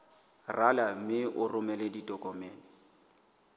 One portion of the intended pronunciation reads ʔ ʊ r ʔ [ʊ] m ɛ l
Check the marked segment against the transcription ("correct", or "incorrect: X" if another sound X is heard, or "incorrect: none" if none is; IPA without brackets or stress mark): correct